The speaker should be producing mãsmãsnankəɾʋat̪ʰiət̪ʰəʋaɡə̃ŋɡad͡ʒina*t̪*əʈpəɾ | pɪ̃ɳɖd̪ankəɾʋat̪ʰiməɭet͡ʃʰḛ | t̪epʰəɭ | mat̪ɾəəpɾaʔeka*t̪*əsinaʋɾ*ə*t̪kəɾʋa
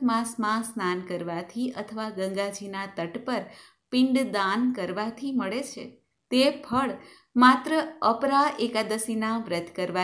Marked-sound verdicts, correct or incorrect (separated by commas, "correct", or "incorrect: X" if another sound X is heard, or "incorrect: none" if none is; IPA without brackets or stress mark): correct, incorrect: d̪, correct